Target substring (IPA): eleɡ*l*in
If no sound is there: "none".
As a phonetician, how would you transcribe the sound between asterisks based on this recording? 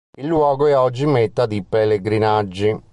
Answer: ɾ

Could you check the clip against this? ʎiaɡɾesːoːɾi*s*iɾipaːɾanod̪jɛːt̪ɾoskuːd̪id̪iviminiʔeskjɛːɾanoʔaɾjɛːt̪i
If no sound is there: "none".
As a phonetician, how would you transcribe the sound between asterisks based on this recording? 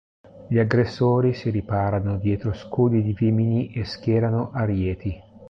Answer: s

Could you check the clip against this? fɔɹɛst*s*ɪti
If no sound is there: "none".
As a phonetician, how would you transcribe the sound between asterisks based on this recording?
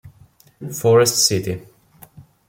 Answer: s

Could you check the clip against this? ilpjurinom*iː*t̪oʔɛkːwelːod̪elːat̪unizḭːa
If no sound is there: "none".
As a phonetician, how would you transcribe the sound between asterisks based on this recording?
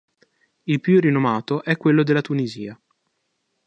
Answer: aː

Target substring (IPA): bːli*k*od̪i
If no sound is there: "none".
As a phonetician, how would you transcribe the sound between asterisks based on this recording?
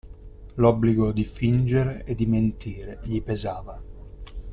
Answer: ɡ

